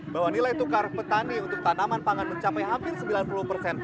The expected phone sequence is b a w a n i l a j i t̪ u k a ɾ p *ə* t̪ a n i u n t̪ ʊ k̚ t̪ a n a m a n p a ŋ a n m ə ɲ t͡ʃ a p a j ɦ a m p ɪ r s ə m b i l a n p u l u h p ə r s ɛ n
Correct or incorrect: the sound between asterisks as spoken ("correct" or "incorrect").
correct